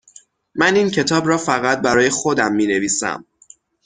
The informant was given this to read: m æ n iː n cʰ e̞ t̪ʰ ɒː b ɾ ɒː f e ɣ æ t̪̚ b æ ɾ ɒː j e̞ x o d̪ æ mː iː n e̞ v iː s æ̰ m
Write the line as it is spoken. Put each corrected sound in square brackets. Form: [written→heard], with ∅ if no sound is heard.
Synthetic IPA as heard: m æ n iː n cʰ e̞ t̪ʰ ɒː b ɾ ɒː f [e→æ] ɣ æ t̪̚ b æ ɾ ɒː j e̞ x o d̪ æ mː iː n e̞ v iː s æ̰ m